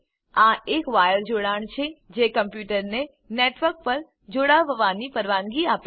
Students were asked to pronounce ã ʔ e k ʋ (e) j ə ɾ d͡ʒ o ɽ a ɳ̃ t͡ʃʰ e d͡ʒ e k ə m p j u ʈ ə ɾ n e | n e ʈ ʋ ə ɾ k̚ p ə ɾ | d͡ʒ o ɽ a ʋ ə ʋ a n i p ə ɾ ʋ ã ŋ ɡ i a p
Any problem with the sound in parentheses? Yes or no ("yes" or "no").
yes